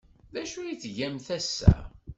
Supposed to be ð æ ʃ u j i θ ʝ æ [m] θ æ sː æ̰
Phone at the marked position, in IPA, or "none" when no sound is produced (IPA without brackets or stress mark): m